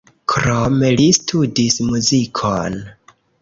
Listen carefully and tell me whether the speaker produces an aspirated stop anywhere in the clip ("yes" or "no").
yes